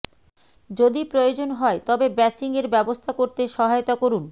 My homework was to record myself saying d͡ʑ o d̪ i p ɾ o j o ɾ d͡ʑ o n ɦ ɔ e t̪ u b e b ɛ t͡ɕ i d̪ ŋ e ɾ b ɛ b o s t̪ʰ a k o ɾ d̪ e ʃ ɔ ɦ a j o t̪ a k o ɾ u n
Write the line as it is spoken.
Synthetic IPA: d͡ʑ o d̪ i p ɾ o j o d͡ʑ o n ɦ ɔ e t̪ ɔ b e b ɛ t͡ɕ i ŋ e ɾ b ɛ b o s t̪ʰ a k o ɾ t̪ e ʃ ɔ ɦ a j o t̪ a k o ɾ u n